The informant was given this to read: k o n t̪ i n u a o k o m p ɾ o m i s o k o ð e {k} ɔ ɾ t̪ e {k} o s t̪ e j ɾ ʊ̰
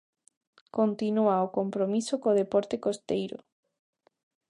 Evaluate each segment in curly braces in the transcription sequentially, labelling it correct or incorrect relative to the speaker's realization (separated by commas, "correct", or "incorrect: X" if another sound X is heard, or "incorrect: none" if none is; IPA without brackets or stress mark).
incorrect: p, correct